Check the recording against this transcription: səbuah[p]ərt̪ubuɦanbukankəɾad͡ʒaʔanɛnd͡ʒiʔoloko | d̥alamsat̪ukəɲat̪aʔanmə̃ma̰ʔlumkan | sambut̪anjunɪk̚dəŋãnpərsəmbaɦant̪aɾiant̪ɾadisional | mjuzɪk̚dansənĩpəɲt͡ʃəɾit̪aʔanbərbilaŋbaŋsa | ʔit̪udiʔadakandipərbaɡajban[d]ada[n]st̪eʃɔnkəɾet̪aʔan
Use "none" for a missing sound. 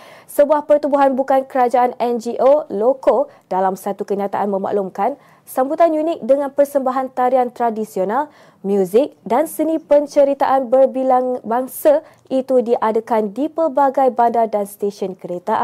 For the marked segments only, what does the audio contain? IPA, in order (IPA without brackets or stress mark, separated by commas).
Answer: p, d, n